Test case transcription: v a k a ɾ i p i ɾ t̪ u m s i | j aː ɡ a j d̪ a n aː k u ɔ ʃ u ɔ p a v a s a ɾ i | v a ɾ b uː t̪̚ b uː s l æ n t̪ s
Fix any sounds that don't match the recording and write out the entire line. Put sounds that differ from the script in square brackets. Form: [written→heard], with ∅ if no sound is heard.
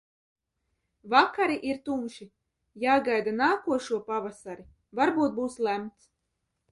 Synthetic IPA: v a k a ɾ i [p→ʔ] i ɾ t̪ u m [s→ʃ] i | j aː ɡ a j d̪ a n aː k u ɔ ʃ u ɔ p a v a s a ɾ i | v a ɾ b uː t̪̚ b uː s l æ [n→m] t̪ s

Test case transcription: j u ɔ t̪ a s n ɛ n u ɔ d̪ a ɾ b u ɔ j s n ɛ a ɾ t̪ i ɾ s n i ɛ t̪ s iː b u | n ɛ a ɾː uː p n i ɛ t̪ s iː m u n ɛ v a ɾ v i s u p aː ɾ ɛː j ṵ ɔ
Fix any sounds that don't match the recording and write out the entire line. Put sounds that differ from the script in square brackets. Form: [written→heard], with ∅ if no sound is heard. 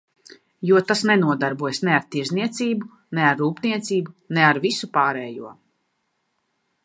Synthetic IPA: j u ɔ t̪ a s n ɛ n u ɔ d̪ a ɾ b u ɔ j s n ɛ a ɾ t̪ i ɾ [s→z] n i ɛ t̪ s iː b u | n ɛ a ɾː uː p n i ɛ t̪ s iː [m→b] u n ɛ [v→∅] a ɾ v i s u p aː ɾ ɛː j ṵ ɔ

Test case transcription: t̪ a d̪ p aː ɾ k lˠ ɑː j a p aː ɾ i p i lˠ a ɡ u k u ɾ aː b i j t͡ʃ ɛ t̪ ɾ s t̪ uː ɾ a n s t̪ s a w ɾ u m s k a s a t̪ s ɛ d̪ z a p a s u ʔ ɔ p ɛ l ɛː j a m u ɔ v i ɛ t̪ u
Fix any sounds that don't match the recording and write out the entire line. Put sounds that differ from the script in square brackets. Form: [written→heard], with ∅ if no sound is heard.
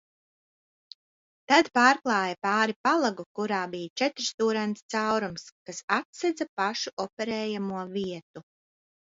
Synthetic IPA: t̪ a d̪ p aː ɾ k lˠ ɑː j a p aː ɾ i p [i→a] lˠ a ɡ u k u ɾ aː b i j t͡ʃ ɛ t̪ ɾ s t̪ uː ɾ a n s t̪ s a w ɾ u m s k a s a t̪ s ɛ d̪ z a p a [s→ʃ] u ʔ ɔ p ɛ [l→ɾ] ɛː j a m u ɔ v i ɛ t̪ u

